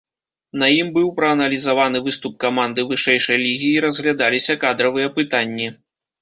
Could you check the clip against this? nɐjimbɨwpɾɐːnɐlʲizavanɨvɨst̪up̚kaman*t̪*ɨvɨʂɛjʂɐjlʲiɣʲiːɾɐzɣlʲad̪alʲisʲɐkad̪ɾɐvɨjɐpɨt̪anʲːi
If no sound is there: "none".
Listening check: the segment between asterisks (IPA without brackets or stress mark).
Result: d̪